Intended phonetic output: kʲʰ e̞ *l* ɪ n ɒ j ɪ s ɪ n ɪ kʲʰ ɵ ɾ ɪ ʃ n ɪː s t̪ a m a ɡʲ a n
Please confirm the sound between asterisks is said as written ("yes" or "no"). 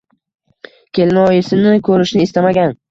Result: yes